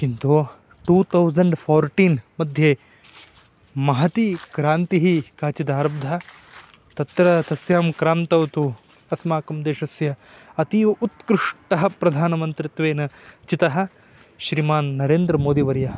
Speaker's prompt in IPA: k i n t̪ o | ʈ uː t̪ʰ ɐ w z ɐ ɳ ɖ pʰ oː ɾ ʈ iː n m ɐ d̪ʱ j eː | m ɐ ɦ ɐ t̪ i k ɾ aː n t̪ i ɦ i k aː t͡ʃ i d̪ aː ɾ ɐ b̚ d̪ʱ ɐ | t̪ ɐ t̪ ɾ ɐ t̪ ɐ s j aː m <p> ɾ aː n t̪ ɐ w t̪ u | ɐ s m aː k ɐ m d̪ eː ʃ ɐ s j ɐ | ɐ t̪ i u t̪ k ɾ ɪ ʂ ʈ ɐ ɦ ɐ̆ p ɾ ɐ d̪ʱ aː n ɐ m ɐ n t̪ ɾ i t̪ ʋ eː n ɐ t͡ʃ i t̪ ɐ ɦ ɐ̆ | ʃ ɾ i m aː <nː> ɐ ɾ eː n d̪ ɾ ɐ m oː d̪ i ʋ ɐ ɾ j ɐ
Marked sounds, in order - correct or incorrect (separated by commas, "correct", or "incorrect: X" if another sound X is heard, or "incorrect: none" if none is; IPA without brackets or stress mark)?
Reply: incorrect: k, correct